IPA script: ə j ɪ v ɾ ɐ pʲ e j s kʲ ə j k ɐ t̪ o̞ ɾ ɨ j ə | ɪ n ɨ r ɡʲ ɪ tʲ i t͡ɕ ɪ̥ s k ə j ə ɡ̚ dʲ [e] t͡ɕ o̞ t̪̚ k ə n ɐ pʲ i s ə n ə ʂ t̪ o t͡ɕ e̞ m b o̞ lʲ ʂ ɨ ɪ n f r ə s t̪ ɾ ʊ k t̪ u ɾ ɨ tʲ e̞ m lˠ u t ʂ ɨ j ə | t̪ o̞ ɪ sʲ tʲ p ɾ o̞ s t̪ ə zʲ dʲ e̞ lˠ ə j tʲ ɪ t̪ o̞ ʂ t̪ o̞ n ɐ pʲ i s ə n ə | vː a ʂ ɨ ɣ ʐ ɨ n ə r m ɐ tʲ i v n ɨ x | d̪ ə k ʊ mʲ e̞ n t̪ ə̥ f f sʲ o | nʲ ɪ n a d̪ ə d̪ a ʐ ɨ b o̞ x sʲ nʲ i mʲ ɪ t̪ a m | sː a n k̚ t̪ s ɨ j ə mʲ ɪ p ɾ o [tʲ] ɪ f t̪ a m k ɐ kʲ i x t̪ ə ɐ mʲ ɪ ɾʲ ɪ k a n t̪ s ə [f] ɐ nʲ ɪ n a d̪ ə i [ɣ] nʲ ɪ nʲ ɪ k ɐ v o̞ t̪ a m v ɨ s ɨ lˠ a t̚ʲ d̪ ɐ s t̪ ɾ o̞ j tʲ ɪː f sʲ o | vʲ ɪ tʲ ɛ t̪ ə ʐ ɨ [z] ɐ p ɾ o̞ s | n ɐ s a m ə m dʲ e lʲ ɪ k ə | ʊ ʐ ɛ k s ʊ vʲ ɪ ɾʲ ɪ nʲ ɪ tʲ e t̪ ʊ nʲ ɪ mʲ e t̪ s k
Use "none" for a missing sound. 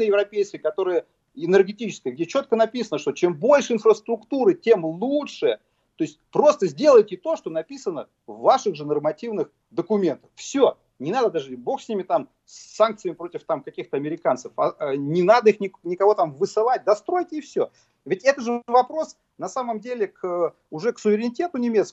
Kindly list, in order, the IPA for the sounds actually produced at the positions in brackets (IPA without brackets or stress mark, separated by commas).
e, tʲ, f, x, v